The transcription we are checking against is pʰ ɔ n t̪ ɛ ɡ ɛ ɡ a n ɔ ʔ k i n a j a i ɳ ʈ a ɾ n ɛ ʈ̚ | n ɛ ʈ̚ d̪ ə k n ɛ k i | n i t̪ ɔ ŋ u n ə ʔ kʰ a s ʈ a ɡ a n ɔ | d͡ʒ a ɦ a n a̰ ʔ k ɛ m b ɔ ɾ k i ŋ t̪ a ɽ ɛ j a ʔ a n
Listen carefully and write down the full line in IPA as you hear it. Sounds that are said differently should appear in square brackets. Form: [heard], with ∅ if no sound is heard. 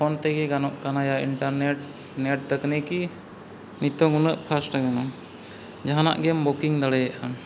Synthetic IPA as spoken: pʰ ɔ n t̪ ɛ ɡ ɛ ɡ a n ɔ ʔ k [a] n a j a i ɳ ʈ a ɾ n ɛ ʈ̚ | n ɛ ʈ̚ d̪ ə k n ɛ k i | n i t̪ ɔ ŋ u n ə ʔ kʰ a s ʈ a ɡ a n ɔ | d͡ʒ a ɦ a n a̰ ʔ [ɡ] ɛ m b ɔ [∅] k i ŋ [d̪] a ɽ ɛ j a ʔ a n